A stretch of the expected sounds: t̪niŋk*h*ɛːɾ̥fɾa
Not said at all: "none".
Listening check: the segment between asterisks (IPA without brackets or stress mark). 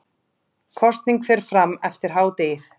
f